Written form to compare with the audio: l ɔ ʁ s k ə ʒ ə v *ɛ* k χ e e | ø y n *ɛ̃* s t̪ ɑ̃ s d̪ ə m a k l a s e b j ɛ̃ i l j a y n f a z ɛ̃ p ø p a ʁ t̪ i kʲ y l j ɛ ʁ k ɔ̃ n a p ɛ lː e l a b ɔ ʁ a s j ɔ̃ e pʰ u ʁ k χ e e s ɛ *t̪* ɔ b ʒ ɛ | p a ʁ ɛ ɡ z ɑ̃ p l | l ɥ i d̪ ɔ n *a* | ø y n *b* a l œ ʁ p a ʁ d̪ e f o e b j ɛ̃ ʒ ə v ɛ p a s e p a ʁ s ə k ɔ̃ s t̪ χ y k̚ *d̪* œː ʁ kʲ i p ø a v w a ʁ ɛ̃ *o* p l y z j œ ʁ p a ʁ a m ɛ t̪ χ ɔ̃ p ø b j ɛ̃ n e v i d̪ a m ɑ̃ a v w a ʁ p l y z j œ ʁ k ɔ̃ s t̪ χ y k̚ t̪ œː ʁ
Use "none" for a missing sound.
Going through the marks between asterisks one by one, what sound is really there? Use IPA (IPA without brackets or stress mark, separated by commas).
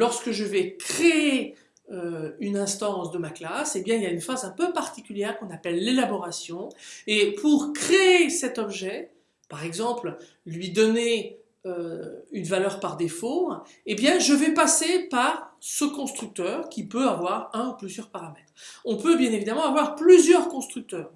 ɛ, ɛ̃, t̪, e, v, t̪, u